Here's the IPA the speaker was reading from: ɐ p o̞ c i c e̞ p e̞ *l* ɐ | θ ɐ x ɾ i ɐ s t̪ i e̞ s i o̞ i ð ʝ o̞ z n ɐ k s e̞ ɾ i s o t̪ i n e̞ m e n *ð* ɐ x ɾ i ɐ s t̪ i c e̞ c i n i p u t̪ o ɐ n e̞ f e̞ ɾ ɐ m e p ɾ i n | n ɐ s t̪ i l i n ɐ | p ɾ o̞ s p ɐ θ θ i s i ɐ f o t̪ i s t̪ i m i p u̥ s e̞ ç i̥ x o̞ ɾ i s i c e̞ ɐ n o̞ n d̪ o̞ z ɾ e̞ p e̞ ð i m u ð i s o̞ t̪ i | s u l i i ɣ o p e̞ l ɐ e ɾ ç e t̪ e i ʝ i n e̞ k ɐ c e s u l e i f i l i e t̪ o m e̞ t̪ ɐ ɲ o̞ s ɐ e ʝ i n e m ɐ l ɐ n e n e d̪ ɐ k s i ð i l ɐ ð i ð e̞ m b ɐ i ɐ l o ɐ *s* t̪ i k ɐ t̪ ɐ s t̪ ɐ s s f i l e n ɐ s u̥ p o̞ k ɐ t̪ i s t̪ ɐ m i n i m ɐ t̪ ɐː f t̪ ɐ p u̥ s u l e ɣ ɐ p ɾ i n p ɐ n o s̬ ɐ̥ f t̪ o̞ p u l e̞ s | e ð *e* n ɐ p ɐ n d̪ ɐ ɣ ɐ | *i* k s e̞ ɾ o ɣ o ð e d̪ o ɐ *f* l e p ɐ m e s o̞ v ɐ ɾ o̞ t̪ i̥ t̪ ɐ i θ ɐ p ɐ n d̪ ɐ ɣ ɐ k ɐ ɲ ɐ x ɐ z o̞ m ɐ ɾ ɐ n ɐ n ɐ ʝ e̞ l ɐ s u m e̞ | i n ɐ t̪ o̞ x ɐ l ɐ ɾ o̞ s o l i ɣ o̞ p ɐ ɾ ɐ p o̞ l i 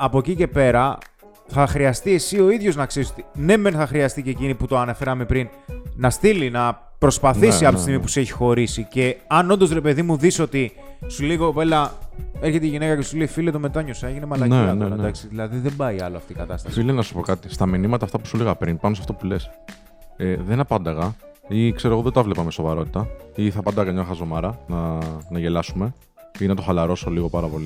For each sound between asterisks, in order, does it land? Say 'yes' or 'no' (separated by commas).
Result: no, no, no, yes, yes, no